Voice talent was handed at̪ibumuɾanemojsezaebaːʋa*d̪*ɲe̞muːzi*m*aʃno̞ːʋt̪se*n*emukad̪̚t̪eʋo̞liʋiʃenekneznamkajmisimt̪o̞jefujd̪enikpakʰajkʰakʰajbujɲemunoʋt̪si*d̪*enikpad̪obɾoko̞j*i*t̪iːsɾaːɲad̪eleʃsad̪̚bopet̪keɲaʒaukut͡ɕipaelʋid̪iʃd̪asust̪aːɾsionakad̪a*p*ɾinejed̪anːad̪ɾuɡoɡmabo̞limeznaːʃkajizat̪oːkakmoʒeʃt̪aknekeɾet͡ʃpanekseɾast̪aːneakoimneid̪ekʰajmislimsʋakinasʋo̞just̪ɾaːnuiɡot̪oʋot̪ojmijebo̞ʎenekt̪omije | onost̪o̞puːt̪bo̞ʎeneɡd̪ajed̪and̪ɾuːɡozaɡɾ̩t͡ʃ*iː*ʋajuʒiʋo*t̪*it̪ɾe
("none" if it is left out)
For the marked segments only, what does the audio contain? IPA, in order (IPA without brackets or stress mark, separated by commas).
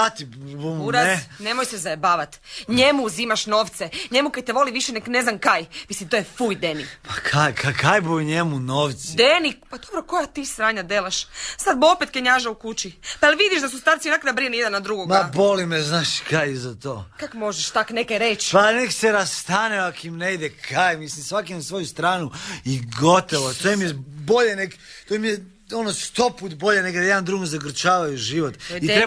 t̪, m, ɲ, d̪, a, b, aː, t̪